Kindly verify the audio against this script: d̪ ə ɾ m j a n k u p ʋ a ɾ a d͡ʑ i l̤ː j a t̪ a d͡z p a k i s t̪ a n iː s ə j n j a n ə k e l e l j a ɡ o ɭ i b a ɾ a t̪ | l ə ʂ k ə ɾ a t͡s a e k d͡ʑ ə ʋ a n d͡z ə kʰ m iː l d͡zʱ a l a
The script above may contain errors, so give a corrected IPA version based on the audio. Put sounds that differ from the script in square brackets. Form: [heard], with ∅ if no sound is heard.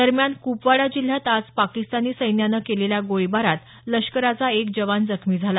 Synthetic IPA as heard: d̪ ə ɾ m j a n k u p ʋ a [ɽ] a d͡ʑ i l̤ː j a t̪ a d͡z p a k i s t̪ a n iː s ə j n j a n ə k e l e l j a ɡ o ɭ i b a ɾ a t̪ | l ə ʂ k ə ɾ a t͡s a e k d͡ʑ ə ʋ a n d͡z ə kʰ m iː [∅] d͡zʱ a l a